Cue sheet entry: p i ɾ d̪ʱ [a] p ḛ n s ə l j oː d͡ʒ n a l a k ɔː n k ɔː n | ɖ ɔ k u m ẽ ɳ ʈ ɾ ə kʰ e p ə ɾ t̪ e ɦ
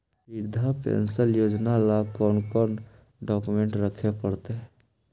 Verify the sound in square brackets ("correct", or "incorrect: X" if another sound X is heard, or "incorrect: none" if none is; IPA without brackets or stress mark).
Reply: correct